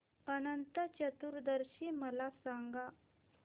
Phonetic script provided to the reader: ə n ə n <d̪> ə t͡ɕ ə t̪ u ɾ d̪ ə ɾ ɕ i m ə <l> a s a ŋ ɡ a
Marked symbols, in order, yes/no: no, yes

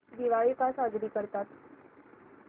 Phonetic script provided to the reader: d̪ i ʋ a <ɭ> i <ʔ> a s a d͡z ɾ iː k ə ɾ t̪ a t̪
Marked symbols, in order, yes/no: yes, no

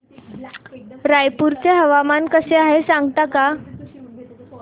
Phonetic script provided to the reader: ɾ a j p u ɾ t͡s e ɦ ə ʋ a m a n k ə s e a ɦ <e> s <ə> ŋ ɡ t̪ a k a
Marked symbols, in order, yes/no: yes, no

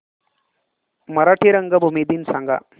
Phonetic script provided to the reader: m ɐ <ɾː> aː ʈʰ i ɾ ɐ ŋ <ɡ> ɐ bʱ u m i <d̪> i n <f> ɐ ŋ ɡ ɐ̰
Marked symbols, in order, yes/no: no, yes, yes, no

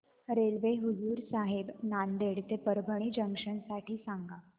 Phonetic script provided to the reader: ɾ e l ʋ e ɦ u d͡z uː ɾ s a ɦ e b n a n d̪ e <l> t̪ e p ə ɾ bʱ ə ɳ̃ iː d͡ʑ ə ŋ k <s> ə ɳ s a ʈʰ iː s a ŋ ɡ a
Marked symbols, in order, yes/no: no, no

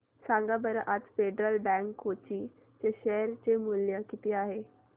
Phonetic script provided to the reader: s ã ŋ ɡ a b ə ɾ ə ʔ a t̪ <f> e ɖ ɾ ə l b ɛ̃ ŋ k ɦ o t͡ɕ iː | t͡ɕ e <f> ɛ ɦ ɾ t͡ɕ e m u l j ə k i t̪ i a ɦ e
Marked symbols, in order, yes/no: yes, no

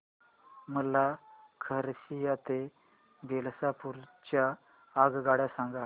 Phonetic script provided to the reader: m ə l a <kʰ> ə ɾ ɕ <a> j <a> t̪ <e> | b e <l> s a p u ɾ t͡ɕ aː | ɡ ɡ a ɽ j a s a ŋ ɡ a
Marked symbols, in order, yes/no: yes, no, yes, yes, yes

